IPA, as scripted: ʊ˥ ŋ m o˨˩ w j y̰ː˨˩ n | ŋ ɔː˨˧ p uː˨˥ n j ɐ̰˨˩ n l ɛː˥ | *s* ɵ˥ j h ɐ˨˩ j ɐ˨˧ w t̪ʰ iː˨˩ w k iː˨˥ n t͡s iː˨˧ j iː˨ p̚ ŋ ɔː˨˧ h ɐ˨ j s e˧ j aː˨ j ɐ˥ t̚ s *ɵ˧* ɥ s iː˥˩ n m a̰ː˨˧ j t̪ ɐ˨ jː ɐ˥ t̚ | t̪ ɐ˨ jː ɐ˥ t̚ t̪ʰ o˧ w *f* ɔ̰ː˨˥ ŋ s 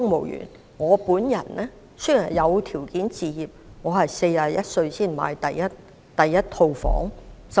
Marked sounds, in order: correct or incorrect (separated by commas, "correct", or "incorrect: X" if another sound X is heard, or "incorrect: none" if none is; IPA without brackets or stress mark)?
correct, correct, correct